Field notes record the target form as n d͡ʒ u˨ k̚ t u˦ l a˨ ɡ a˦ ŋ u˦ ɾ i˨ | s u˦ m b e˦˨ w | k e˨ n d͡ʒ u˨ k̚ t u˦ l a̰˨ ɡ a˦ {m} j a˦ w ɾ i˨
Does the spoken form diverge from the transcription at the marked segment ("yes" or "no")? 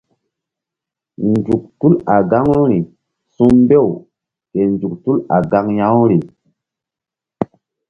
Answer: yes